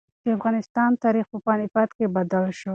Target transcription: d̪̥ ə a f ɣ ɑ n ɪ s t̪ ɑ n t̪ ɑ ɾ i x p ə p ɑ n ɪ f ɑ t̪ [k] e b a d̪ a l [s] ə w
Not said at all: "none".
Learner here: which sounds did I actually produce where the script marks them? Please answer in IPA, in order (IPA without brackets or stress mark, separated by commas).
k, ʃ